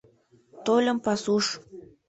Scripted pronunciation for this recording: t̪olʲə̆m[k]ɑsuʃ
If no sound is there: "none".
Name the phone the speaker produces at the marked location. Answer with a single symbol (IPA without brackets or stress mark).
p